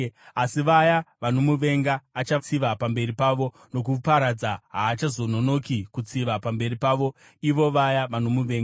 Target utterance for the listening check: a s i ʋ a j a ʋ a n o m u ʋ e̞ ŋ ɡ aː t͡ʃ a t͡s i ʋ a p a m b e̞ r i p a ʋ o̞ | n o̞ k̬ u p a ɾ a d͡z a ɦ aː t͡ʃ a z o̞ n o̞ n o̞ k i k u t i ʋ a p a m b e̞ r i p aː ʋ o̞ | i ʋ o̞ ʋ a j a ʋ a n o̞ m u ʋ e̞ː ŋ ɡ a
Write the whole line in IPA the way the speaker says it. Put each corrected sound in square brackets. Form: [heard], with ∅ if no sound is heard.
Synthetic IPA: a s i ʋ a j a ʋ a n o m u ʋ e̞ ŋ ɡ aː t͡ʃ a t͡s i ʋ a p a m b e̞ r i p a ʋ o̞ | n o̞ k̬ u p a ɾ a d͡z a ɦ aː t͡ʃ a z o̞ n o̞ n o̞ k i k u [t͡s] i ʋ a p a m b e̞ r i p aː ʋ o̞ | i ʋ o̞ ʋ a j a ʋ a n o̞ m u ʋ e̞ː ŋ ɡ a

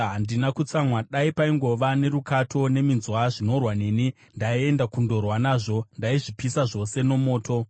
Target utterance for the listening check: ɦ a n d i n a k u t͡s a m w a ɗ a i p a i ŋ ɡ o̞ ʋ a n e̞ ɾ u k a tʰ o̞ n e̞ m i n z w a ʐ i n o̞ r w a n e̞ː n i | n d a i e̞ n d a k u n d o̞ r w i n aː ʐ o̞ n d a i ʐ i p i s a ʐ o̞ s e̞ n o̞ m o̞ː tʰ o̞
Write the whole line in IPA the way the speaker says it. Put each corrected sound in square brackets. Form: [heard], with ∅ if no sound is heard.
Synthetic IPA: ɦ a n d i n a k u t͡s a m w a ɗ a i p a i ŋ ɡ o̞ ʋ a n e̞ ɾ u k a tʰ o̞ n e̞ m i n z w a ʐ i n o̞ r w a n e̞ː n i | n d a i e̞ n d a k u n d o̞ r w [a] n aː ʐ o̞ n d a i ʐ i p i s a ʐ o̞ s e̞ n o̞ m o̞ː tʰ o̞

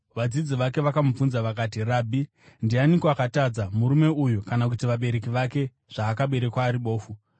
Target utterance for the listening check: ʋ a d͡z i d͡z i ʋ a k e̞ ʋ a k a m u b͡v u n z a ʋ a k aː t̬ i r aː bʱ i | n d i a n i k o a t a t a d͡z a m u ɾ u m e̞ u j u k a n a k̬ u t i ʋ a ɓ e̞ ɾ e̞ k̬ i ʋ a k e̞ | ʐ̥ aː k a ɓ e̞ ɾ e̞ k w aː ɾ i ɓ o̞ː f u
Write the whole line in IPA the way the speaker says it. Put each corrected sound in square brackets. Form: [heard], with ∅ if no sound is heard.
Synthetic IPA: ʋ a d͡z i d͡z i ʋ a k e̞ ʋ a k a m u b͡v u n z a ʋ a k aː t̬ i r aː bʱ i | n d i a n i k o a [k] a t a d͡z a m u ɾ u m e̞ u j u k a n a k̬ u t i ʋ a ɓ e̞ ɾ e̞ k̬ i ʋ a k e̞ | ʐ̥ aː k a ɓ e̞ ɾ e̞ k w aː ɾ i ɓ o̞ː f u

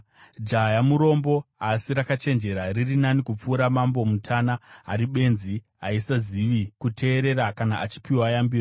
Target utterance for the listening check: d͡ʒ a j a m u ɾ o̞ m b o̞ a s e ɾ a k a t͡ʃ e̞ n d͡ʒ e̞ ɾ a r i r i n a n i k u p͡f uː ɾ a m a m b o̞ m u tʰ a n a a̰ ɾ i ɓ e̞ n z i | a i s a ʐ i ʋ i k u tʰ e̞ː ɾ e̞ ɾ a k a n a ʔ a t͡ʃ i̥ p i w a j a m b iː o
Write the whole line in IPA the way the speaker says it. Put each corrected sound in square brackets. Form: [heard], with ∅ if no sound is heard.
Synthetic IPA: d͡ʒ a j a m u ɾ o̞ m b o̞ a s [i] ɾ a k a t͡ʃ e̞ n d͡ʒ e̞ ɾ a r i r i n a n i k u p͡f uː ɾ a m a m b o̞ m u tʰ a n a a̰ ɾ i ɓ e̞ n z i | a i s a [z] i ʋ i k u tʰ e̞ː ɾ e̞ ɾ a k a n a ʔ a t͡ʃ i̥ p i w a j a m b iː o

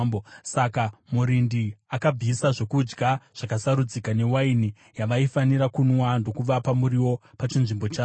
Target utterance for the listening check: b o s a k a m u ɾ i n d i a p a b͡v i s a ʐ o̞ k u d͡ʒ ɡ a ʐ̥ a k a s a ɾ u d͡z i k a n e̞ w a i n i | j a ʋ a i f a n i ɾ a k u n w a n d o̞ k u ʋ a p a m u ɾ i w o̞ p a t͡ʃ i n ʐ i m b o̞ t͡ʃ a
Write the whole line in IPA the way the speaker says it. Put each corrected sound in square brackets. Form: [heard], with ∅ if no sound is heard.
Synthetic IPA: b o s a k a m u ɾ i n d i a [k] a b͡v i s a ʐ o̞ k u d͡ʒ ɡ a ʐ̥ a k a s a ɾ u d͡z i k a n e̞ w a i n i | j a ʋ a i f a n i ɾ a k u n w a n d o̞ k u ʋ a p a m u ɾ i w o̞ p a t͡ʃ i n ʐ i m b o̞ t͡ʃ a

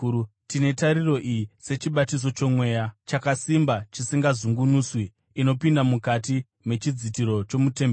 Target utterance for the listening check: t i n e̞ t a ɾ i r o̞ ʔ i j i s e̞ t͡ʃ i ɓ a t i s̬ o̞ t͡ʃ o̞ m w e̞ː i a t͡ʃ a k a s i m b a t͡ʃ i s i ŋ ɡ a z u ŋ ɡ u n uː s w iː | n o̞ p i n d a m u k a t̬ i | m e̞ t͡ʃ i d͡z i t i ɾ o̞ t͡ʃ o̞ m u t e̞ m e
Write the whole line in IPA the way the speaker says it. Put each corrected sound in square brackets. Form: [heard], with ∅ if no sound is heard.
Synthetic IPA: t i n e̞ t a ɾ i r o̞ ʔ i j i s e̞ t͡ʃ i ɓ a t i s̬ o̞ t͡ʃ o̞ m w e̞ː [j] a t͡ʃ a k a s i m b a t͡ʃ i s i ŋ ɡ a z u ŋ ɡ u n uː s w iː | n o̞ p i n d a m u k a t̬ i | m e̞ t͡ʃ i d͡z i t i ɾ o̞ t͡ʃ o̞ m u t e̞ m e

